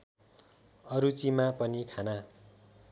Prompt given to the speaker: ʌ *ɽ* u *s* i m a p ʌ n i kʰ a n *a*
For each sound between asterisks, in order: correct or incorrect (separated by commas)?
incorrect, incorrect, correct